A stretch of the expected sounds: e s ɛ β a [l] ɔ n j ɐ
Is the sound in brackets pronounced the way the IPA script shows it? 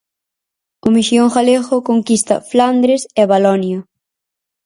yes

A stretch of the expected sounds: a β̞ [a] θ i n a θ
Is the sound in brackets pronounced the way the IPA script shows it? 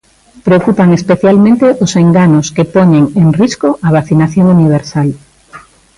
yes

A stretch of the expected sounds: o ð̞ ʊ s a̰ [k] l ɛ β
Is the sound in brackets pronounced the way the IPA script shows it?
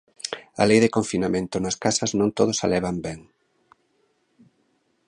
no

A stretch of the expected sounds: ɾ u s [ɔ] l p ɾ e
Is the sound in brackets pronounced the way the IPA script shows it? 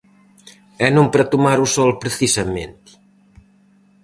yes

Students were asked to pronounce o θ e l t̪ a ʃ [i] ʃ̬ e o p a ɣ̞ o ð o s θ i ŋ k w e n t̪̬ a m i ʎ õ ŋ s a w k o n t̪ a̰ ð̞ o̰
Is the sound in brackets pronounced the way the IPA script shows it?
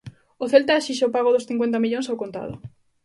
yes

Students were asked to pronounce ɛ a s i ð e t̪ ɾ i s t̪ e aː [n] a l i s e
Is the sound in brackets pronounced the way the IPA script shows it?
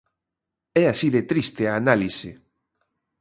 yes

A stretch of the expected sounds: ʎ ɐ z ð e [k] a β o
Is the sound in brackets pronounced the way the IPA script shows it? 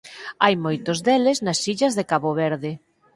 yes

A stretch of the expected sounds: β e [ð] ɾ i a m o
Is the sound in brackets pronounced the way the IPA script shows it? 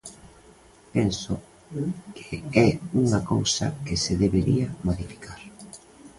no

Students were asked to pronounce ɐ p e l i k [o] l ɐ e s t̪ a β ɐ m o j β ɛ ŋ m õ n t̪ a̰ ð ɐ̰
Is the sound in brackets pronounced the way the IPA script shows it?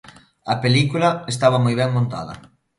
no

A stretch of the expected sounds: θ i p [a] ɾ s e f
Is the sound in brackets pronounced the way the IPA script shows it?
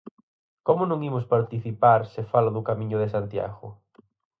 yes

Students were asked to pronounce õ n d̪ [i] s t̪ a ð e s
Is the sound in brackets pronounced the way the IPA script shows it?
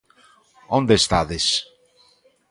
no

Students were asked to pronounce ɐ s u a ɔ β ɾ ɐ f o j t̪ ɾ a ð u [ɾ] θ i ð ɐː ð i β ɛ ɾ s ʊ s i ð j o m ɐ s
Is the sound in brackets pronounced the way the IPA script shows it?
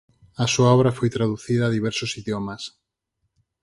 no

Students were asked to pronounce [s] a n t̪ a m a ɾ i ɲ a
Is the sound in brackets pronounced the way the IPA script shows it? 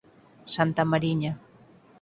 yes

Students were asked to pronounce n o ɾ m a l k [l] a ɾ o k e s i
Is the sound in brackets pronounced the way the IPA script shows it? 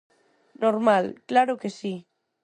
yes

